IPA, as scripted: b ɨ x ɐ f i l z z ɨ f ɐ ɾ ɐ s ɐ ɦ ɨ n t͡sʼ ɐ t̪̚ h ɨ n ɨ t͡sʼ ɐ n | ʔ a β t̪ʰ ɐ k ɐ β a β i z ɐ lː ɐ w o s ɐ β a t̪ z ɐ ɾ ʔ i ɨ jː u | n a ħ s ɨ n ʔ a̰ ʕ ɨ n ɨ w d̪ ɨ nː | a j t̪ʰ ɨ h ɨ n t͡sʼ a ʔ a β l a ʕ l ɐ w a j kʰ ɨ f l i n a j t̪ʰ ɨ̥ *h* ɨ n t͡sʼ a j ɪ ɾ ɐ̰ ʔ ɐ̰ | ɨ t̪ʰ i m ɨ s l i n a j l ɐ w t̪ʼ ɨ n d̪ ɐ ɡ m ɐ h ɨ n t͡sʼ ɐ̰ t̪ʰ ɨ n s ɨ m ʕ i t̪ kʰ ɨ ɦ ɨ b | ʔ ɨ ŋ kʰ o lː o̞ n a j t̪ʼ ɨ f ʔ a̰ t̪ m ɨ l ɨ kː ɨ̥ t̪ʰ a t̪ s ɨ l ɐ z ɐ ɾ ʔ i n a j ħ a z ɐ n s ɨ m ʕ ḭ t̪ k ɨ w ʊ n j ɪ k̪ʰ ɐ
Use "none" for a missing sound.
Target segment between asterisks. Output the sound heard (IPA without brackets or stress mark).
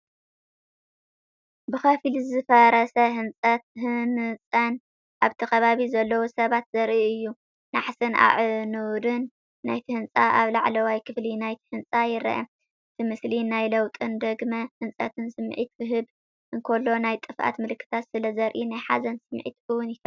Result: h